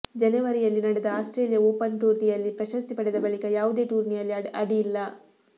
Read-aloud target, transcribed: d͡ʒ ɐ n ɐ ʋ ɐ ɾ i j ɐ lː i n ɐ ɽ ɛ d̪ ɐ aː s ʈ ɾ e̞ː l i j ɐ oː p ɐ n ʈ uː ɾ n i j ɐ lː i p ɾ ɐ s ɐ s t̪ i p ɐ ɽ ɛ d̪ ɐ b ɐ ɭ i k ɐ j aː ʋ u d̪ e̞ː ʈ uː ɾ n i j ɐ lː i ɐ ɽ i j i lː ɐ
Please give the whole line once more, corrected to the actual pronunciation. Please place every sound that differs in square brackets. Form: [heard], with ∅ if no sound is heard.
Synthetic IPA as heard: d͡ʒ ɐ n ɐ ʋ ɐ ɾ i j ɐ lː i n ɐ ɽ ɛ d̪ ɐ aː s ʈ ɾ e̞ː l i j ɐ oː p ɐ n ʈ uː ɾ n i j ɐ lː i p ɾ ɐ [ʃ] ɐ s t̪ i p ɐ ɽ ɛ d̪ ɐ b ɐ ɭ i k ɐ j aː ʋ u d̪ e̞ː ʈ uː ɾ n i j ɐ lː i ɐ ɽ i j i lː ɐ